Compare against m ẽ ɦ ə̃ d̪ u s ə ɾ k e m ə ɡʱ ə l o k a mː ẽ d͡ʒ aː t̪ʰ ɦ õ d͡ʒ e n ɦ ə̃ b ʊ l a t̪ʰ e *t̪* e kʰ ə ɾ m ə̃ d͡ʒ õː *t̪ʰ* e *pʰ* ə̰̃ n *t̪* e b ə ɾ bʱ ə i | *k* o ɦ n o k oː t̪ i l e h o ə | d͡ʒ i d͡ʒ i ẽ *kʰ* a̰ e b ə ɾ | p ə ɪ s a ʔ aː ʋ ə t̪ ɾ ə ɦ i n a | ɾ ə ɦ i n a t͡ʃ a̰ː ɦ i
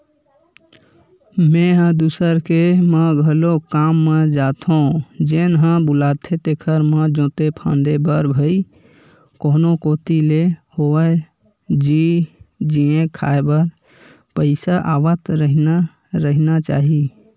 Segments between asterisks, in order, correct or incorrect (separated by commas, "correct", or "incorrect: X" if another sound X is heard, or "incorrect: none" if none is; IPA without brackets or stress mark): correct, incorrect: t̪, correct, incorrect: d̪, correct, correct